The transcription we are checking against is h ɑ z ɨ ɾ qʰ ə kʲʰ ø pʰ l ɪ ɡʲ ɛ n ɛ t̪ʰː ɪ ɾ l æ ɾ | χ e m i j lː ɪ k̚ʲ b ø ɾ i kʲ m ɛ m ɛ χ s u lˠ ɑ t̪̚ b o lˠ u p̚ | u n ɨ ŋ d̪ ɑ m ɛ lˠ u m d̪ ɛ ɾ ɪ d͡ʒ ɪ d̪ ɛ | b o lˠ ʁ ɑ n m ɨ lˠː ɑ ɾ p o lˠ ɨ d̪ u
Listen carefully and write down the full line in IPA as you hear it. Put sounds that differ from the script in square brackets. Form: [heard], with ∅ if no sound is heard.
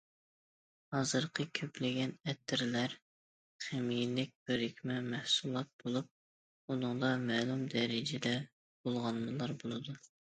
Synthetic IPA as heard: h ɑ z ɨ ɾ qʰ ə kʲʰ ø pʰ l ɪ ɡʲ ɛ n ɛ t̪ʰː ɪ ɾ l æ ɾ | χ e m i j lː ɪ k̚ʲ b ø ɾ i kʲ m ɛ m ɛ [h] s u lˠ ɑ t̪̚ b o lˠ u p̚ | u n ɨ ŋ d̪ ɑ m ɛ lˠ u m d̪ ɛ ɾ ɪ d͡ʒ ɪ d̪ ɛ | b o lˠ ʁ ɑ n m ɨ [lˠ] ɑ ɾ [b] o lˠ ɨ d̪ u